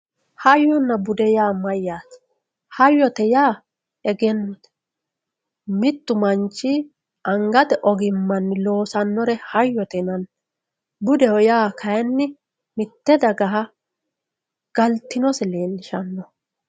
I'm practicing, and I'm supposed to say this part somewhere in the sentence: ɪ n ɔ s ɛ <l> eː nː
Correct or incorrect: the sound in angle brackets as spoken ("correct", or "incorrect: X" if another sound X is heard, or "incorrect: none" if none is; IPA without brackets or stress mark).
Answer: correct